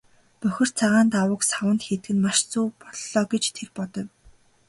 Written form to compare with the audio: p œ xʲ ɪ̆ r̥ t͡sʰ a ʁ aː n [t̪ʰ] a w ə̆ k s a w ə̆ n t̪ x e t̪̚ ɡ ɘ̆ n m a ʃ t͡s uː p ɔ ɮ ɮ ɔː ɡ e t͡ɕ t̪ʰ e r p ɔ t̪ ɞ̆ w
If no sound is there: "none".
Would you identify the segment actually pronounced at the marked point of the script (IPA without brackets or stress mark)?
t̪